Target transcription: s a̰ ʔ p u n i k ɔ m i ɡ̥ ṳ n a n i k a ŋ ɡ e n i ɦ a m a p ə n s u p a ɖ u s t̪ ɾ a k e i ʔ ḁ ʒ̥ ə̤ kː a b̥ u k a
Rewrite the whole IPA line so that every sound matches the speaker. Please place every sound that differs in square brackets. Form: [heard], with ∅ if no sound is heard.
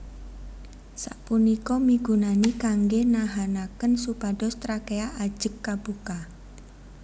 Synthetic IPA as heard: s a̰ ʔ p u n i k ɔ m i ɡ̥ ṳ n a n i k a ŋ ɡ e n [a] ɦ a [n] a [k] ə n s u p a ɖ [ɔ] s t̪ ɾ a k e [a] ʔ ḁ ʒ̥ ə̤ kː a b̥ u k a